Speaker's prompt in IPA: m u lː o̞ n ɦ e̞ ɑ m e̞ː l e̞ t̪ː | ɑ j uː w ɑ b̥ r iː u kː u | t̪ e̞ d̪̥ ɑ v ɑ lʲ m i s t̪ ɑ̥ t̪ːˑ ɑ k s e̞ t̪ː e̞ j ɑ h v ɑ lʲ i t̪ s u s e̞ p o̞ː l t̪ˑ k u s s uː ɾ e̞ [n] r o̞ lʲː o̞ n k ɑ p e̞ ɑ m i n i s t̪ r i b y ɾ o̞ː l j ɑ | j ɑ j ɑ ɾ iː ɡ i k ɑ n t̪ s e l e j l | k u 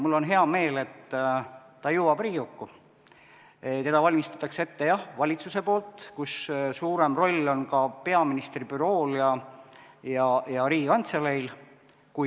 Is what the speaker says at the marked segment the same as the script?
no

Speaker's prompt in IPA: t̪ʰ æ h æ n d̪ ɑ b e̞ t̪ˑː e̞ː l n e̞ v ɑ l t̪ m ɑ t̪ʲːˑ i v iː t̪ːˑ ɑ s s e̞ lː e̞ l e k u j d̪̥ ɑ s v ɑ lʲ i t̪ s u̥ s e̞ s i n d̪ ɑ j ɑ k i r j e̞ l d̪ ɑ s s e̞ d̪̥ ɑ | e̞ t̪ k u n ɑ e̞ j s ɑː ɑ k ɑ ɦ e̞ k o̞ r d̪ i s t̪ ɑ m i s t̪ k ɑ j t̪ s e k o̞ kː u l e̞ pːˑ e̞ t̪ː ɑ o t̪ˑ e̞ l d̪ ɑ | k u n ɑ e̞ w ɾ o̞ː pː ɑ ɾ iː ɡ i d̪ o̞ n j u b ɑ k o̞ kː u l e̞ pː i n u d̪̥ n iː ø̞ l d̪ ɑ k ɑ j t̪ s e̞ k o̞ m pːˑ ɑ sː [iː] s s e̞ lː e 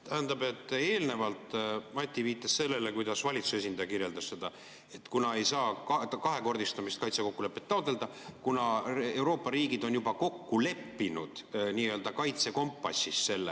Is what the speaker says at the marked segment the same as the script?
no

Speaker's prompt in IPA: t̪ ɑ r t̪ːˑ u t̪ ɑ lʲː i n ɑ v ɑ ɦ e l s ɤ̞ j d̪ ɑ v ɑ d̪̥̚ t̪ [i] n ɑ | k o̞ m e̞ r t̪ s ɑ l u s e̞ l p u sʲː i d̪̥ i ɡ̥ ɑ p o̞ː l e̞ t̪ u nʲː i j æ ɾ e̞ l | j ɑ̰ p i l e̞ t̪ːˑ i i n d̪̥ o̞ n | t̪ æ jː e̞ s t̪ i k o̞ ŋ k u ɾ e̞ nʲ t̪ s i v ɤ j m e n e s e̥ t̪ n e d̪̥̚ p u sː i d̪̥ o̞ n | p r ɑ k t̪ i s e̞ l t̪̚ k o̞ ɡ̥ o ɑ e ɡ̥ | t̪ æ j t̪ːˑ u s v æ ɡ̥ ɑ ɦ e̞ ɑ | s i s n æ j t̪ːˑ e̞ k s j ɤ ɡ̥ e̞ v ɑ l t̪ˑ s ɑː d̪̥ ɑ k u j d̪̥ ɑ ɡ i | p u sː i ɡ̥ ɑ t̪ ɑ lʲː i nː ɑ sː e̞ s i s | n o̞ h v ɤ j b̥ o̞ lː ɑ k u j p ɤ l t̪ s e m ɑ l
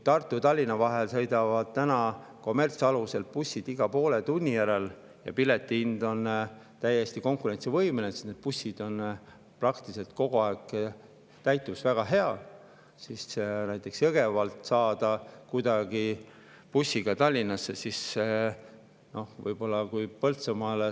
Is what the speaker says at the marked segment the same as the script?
no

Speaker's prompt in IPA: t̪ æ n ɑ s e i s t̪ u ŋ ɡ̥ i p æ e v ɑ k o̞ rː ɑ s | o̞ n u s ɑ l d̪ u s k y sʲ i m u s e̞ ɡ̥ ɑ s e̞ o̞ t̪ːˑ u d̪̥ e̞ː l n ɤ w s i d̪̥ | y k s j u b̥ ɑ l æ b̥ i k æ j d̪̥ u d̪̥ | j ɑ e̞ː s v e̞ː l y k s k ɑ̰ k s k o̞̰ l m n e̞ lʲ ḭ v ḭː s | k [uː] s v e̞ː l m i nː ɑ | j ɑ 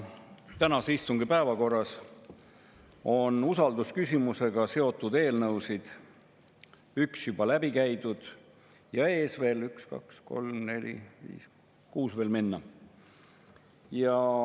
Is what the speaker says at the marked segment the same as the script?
yes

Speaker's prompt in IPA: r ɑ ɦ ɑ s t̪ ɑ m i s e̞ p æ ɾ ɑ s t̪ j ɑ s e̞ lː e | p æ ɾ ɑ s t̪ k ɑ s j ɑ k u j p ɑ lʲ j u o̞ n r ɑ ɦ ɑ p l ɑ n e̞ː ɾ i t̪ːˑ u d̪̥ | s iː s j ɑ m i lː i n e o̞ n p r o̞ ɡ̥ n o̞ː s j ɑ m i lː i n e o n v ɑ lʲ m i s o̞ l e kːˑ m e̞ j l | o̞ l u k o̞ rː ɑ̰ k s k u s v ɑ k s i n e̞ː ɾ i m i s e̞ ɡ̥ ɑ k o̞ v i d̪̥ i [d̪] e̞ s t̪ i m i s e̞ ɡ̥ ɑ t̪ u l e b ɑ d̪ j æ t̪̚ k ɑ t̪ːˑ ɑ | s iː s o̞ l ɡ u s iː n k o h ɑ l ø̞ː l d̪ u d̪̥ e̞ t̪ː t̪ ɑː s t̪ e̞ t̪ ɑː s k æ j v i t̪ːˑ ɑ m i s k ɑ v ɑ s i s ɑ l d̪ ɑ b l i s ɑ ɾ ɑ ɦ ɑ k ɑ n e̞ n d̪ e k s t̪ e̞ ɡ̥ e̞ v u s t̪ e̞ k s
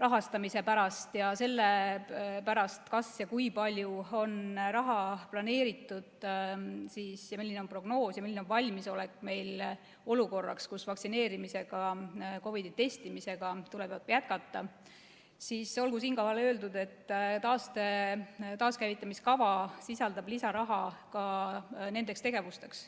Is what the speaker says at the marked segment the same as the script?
no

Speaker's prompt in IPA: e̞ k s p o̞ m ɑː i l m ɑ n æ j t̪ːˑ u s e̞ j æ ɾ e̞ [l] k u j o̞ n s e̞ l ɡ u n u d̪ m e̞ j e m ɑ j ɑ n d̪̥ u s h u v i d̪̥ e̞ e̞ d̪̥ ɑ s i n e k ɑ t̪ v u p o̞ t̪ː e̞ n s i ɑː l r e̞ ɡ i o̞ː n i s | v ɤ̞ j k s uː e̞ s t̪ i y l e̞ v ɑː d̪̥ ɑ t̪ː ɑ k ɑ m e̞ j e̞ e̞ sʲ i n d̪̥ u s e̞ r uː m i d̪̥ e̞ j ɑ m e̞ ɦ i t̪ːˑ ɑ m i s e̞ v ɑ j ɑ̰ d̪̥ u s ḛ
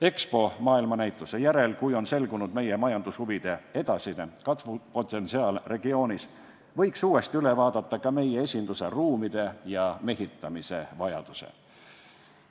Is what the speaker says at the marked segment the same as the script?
yes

